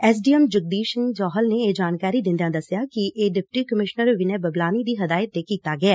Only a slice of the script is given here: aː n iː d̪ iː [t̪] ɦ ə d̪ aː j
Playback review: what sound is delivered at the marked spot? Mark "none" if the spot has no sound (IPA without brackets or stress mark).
none